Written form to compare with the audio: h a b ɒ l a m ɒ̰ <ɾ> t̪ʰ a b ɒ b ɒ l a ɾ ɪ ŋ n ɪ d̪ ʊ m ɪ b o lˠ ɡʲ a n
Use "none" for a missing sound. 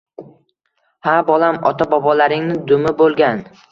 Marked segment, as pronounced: none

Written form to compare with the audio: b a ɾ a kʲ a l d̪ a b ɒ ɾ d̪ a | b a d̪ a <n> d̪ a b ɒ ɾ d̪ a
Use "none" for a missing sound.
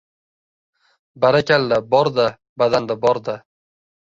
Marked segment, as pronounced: n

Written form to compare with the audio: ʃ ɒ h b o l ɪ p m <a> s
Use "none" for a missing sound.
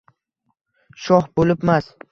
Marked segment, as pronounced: a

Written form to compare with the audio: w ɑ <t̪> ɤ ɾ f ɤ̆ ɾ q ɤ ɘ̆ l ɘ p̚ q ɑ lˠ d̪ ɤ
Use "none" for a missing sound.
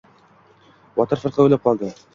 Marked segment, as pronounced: t̪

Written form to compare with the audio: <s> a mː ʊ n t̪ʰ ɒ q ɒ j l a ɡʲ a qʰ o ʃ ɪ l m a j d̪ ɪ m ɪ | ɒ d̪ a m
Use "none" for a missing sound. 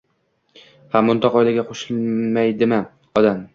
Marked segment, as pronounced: h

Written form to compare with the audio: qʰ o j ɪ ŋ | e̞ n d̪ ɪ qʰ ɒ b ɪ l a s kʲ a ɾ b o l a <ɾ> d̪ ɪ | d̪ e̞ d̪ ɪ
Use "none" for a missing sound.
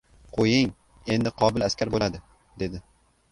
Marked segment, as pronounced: none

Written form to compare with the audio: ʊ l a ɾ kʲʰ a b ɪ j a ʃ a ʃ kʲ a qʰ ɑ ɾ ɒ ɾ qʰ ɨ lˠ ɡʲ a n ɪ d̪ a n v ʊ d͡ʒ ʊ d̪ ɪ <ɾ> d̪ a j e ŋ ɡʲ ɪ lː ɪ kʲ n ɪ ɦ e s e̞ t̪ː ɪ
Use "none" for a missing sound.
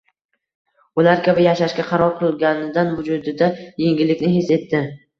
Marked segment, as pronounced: none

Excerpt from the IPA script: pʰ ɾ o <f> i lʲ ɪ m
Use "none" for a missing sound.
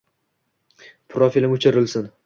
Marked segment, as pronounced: f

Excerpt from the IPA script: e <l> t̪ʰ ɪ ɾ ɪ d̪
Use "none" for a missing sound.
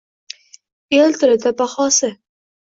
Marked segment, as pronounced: l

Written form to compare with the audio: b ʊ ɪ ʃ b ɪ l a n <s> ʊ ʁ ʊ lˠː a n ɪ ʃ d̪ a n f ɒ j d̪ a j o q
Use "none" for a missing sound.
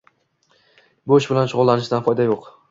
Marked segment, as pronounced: ʃ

